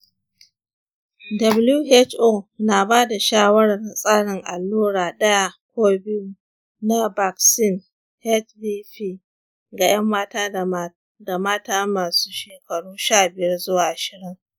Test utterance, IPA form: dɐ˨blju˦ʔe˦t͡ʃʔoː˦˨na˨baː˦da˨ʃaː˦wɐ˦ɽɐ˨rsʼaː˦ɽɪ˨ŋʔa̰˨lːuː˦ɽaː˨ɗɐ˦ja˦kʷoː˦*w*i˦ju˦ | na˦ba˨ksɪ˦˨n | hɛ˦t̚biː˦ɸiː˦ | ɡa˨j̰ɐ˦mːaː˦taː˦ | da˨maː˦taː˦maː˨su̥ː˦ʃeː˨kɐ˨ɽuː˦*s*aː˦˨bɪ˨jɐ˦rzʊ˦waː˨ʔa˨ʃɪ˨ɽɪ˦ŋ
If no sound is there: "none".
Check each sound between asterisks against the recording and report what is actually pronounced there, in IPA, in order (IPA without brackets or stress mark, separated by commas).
b, ʃ